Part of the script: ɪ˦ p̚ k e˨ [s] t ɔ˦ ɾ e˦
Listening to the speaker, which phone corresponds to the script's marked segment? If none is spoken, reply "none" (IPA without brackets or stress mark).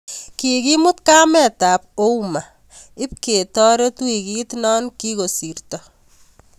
none